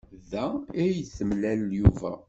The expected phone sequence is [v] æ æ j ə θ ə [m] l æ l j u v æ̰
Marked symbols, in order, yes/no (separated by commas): no, yes